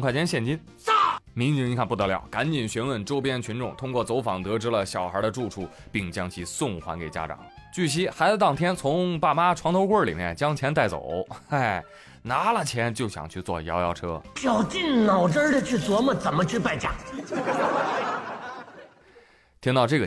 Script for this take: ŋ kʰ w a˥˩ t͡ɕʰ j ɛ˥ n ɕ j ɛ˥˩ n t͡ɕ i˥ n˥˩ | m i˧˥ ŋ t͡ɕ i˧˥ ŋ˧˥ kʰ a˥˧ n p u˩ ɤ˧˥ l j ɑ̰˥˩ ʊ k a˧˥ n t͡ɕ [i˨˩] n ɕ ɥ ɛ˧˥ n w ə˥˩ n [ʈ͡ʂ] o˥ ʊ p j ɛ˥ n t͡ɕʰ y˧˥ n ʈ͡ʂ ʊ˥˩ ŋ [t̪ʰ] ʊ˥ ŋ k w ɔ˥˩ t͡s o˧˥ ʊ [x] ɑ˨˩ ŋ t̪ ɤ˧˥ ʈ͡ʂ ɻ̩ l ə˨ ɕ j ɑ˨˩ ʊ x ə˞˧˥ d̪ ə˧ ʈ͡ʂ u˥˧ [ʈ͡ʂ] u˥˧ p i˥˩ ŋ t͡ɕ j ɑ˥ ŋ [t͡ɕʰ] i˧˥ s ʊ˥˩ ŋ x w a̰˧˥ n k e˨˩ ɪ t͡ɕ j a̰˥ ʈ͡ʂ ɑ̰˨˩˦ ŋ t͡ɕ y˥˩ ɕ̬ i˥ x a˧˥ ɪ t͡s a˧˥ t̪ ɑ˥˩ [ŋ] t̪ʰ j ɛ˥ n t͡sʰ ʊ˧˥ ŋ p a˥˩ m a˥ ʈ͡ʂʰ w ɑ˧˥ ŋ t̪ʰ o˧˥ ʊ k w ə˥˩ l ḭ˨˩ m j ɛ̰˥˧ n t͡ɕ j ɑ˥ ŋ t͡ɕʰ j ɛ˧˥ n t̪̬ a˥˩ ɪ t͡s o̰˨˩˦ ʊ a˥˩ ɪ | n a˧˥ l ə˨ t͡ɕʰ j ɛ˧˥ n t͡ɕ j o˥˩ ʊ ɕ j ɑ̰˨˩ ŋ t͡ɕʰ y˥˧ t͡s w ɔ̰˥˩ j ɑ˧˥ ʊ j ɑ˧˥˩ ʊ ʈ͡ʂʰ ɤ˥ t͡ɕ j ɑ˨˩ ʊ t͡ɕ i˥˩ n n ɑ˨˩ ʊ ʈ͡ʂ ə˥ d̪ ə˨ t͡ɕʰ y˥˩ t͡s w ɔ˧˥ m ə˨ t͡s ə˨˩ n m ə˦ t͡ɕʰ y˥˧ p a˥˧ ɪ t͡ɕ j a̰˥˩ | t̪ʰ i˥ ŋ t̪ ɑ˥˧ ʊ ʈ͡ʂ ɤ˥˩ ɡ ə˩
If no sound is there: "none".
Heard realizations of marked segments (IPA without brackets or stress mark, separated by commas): i˨˩, ʈ͡ʂ, t̪ʰ, f, ʈ͡ʂʰ, t͡ɕʰ, ŋ